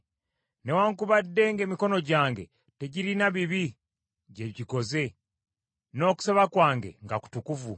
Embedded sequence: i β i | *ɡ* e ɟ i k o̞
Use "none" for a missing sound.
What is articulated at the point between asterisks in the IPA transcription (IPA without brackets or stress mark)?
ɟ